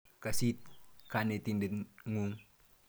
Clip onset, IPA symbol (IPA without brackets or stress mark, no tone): k